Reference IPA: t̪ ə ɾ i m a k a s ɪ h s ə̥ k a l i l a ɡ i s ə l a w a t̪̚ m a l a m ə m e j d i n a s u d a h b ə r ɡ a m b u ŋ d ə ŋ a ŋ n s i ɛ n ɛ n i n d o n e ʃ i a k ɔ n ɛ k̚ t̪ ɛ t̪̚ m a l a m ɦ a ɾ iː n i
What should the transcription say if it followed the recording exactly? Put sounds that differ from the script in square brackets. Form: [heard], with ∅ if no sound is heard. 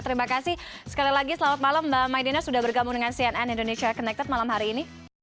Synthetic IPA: t̪ ə ɾ i m a k a s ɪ h s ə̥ k a l i l a ɡ i s ə l a w a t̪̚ m a l a m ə m [a] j d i n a s u d a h b ə r ɡ a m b u ŋ d ə ŋ a [∅] n s i ɛ n ɛ n i n d o n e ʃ i a k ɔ n ɛ k̚ t̪ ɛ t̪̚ m a l a m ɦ a ɾ iː n i